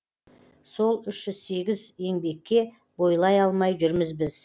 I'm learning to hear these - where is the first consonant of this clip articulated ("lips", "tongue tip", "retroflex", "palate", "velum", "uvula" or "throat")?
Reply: tongue tip